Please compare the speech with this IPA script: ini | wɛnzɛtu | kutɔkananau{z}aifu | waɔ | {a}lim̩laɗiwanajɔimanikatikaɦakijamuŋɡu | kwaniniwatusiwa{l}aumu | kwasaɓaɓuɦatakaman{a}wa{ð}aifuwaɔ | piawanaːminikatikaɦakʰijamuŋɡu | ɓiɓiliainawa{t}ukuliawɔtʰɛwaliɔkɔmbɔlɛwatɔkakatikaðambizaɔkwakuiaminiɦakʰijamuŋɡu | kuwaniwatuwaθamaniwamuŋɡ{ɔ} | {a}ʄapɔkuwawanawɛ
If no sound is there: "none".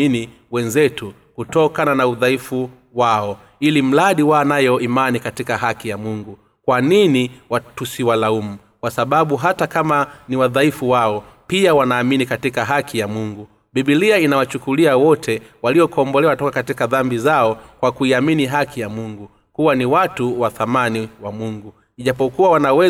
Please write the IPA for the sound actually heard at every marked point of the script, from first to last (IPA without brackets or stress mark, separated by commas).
ð, i, l, i, ð, t͡ʃ, u, i